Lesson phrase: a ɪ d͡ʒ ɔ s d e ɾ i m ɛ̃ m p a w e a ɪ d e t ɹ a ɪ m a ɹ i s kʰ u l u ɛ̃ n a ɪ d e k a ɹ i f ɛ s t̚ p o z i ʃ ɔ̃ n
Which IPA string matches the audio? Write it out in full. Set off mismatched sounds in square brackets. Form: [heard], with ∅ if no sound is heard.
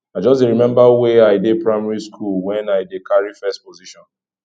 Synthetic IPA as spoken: a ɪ d͡ʒ ɔ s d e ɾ i m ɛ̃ m [b] a w e a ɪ d e [p] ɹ a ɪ m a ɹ i s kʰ u l [w] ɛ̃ n a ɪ d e k a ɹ i f ɛ s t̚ p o z i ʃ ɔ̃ n

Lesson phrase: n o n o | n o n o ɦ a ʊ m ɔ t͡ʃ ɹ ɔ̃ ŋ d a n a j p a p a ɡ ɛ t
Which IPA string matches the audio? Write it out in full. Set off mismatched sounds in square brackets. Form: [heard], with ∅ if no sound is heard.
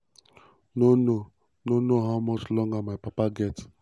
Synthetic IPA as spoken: n o n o | n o n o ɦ a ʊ m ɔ t͡ʃ [l] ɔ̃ ŋ [ɡ] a [m] a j p a p a ɡ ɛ t

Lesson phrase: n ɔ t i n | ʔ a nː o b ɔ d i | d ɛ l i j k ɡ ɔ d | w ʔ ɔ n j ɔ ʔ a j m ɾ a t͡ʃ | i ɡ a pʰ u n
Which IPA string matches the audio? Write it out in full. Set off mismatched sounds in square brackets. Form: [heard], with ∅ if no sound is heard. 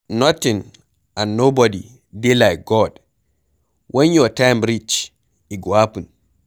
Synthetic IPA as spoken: n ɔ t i n | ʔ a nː o b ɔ d i | d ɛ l [a] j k ɡ ɔ d | w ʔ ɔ n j ɔ [t] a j m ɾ [i] t͡ʃ | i ɡ a [p] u n

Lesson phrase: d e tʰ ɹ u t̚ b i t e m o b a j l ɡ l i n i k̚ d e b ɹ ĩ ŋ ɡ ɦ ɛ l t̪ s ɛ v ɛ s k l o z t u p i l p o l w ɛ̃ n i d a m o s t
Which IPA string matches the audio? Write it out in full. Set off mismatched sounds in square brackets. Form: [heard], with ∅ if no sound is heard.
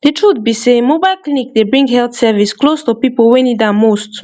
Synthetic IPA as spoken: d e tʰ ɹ u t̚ b i [s] e m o b a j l [k] l i n i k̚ d e b ɹ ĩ ŋ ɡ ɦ ɛ l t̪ s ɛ v [i] s k l o [s] t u p i [∅] p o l w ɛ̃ n i d a m o s t

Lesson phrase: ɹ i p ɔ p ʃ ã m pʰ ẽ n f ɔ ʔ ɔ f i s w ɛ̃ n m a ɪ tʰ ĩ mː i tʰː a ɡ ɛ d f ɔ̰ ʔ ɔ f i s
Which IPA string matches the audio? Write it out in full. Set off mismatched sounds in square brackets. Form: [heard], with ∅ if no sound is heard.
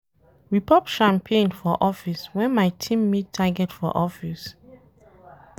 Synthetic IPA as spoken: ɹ i p ɔ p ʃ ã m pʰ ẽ n f ɔ ʔ ɔ f i s w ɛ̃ n m a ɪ tʰ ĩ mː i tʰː a ɡ ɛ [t] f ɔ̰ ʔ ɔ f i s

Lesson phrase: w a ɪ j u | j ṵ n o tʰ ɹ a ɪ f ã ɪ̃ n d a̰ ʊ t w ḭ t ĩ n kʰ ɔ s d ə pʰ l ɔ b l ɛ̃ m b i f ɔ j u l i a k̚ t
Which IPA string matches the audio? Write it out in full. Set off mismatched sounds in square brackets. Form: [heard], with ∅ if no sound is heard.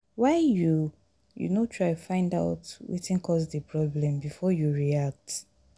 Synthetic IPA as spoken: w a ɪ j u | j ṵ n o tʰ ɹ a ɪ f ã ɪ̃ n d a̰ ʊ t w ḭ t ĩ n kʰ ɔ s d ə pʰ [ɹ] ɔ b l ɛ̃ m b i f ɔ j u [ɹ] i a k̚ t

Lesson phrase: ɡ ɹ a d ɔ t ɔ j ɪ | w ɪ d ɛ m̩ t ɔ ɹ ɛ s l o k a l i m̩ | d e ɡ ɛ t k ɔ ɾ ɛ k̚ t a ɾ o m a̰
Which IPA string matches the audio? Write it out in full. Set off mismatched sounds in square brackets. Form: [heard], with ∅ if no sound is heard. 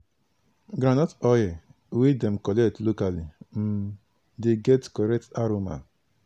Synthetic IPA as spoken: ɡ [ɾ] a [n] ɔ t ɔ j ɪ | w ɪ d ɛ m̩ [k] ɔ [l] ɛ [t] l o k a l i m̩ | d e ɡ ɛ t k ɔ ɾ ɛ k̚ t a ɾ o m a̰

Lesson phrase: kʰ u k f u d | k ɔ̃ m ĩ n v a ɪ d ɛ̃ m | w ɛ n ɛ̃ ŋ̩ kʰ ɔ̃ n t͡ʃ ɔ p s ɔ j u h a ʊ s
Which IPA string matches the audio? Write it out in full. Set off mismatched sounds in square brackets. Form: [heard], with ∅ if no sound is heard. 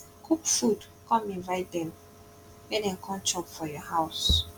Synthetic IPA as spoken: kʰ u k f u d | k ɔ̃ m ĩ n v a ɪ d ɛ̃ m | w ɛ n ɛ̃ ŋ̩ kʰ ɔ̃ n t͡ʃ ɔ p [f] ɔ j [ɔ] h a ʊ s

